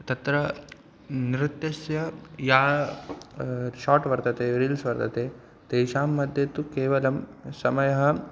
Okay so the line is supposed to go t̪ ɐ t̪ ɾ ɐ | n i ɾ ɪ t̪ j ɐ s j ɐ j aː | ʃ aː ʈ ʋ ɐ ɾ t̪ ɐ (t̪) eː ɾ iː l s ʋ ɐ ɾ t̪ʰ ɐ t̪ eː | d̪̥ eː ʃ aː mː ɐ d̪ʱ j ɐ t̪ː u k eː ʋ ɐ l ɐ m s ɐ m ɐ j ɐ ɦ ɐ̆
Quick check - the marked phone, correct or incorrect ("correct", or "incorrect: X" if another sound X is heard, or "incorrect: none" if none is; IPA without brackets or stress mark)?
correct